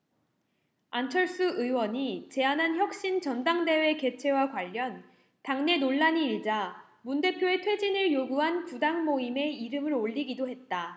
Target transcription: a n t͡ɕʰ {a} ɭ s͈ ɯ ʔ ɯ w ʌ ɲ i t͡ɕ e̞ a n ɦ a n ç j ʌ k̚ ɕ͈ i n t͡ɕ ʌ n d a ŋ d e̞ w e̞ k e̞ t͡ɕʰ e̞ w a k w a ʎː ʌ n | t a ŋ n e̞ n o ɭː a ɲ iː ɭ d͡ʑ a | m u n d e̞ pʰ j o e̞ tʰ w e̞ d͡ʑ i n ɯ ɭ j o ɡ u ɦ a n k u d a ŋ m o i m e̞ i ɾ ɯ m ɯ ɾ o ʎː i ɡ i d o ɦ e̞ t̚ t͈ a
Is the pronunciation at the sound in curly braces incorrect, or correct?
incorrect